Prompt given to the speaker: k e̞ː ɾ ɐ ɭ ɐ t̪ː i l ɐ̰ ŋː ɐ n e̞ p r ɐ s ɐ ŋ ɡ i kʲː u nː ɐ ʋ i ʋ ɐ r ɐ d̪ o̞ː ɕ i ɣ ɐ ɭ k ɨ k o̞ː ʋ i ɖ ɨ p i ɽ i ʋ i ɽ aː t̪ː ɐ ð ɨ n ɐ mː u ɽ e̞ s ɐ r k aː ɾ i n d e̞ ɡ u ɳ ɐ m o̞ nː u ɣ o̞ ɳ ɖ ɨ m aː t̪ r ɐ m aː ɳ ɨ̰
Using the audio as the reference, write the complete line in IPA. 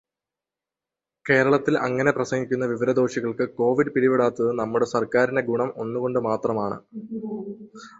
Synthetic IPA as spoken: k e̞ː ɾ ɐ ɭ ɐ t̪ː i l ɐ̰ ŋː ɐ n e̞ p r ɐ s ɐ ŋ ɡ i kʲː u nː ɐ ʋ i ʋ ɐ ɾ ɐ d̪ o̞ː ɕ i ɣ ɐ ɭ k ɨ k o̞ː ʋ i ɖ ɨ p i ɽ i ʋ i ɽ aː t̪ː ɐ ð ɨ n ɐ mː u ɽ e̞ s ɐ r k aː ɾ i n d e̞ ɡ u ɳ ɐ m o̞ nː u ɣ o̞ ɳ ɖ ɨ m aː t̪ r ɐ m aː ɳ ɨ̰